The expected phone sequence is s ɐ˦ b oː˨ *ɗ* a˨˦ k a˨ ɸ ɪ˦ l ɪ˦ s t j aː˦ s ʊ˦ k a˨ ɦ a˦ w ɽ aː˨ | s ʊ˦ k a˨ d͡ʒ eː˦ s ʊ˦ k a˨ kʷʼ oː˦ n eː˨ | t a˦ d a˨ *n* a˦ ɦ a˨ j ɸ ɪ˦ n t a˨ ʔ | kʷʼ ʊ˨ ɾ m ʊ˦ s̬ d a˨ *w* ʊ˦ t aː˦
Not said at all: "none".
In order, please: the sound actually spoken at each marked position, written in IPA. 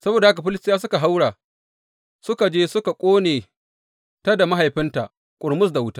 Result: d, m, w

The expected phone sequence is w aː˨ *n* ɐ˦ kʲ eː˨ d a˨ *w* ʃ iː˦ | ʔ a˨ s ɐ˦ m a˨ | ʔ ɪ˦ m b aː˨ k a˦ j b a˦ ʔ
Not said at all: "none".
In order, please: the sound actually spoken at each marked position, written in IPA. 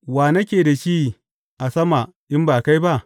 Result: n, none

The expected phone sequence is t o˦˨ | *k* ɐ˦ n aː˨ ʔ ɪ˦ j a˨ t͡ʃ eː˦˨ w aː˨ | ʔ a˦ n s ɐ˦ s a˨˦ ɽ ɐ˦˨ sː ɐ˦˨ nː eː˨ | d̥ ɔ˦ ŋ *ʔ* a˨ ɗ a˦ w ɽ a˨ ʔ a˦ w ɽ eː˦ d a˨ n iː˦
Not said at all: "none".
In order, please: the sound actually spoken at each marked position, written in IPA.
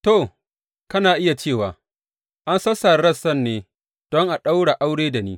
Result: k, ʔ

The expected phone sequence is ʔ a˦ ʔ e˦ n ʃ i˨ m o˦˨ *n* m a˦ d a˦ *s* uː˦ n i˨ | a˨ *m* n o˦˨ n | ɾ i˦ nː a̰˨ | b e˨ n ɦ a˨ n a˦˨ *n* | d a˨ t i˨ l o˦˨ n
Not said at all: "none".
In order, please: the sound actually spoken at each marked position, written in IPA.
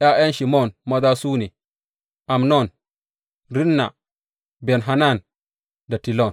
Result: n, s, m, n

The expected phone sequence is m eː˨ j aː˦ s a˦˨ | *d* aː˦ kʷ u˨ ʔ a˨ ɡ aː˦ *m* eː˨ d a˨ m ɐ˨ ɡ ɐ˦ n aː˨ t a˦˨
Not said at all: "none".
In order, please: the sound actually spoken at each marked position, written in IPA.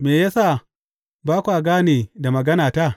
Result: b, n

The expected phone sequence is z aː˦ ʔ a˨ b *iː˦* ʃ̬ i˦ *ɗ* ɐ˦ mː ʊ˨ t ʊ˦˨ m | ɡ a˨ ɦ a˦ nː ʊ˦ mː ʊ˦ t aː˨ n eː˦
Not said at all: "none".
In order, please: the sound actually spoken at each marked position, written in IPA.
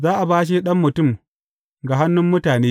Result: aː˦, ɗ

